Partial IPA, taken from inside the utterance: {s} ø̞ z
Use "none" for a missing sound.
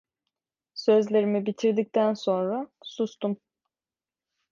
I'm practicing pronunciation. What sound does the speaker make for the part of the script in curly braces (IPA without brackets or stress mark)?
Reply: s